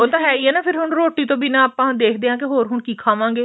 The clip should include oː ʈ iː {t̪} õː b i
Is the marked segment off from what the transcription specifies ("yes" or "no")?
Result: no